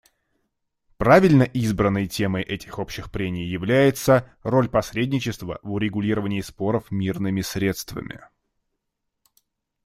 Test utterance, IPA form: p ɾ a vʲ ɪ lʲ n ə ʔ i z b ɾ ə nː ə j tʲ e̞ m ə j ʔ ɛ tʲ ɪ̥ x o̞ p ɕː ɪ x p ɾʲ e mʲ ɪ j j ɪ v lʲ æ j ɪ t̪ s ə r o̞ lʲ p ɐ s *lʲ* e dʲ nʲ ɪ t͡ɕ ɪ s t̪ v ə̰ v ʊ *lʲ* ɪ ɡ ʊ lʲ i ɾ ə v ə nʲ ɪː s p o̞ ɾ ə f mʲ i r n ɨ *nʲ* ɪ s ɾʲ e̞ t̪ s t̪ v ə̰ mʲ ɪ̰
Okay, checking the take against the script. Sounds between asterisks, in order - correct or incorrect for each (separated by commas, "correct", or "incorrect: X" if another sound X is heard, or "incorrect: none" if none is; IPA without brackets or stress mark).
incorrect: ɾʲ, incorrect: ɾʲ, incorrect: mʲ